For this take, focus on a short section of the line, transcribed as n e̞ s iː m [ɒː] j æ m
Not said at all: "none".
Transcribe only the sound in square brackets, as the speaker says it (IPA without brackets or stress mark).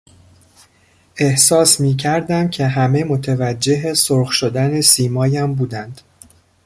ɒː